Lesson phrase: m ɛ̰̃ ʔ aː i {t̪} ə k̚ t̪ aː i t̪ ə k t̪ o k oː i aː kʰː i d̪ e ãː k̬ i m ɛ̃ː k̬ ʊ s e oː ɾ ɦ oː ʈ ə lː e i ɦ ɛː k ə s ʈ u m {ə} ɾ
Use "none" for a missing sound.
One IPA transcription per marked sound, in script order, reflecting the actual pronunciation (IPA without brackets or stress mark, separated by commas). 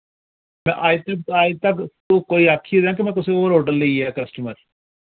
t̪, ə